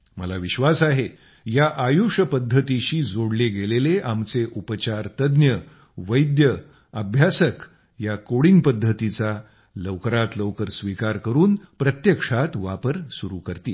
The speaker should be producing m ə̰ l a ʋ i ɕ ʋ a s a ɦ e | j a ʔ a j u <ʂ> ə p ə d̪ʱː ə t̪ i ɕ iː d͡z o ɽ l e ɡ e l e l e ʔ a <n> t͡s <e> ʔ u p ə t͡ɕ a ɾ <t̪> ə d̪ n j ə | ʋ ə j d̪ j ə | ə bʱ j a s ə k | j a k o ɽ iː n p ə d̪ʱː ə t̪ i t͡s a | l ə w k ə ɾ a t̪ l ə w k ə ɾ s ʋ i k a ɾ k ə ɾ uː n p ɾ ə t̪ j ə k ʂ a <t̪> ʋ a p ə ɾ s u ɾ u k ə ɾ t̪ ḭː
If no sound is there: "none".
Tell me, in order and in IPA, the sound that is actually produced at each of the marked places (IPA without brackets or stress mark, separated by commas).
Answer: ʂ, m, e, t̪, t̪